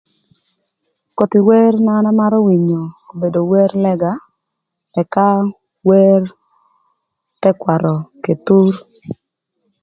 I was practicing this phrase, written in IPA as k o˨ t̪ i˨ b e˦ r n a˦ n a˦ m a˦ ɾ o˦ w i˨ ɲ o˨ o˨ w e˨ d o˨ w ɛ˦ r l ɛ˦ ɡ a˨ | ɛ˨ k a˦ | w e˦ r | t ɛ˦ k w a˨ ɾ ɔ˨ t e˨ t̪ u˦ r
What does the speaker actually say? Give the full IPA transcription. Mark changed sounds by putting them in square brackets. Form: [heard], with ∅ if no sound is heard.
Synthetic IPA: k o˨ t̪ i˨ [w] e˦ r n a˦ n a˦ m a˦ ɾ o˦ w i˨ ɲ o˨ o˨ [b] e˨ d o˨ w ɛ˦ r l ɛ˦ ɡ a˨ | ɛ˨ k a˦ | w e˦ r | t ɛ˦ k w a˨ ɾ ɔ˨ [k] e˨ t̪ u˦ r